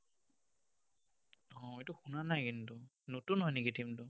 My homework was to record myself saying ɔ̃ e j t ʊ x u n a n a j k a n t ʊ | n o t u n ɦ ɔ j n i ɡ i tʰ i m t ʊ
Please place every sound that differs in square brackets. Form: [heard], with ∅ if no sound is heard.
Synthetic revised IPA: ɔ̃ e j t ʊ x u n a n a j k [i] n t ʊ | n o t u n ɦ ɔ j n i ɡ i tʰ i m t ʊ